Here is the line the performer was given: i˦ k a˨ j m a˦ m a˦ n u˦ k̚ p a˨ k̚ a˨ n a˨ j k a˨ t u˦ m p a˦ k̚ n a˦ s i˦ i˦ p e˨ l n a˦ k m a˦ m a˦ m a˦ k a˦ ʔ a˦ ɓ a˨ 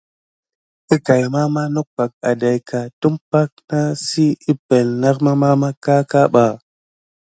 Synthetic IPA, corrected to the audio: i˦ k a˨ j m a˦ m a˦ n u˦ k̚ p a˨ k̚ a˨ d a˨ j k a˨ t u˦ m p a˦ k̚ n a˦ s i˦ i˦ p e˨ l n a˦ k m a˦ m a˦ m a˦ k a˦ k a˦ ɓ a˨